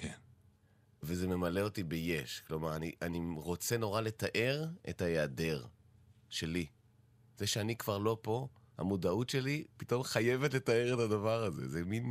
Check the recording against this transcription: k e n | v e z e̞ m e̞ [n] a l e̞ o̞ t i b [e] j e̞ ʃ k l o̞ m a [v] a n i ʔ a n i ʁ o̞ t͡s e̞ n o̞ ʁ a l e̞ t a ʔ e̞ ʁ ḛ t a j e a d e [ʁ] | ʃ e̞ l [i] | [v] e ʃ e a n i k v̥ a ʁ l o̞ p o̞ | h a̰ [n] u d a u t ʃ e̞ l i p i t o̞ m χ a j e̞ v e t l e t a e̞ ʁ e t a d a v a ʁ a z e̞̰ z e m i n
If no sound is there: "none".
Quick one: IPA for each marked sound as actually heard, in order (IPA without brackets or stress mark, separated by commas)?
m, e, ʁ, ʁ, i, z, m